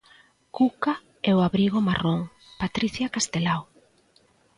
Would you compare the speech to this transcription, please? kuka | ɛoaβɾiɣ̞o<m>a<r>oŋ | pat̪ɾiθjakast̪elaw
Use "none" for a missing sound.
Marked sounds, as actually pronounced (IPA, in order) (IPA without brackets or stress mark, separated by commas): m, r